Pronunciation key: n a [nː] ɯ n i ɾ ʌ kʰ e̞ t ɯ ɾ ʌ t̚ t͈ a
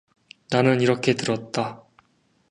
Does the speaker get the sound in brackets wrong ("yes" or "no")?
yes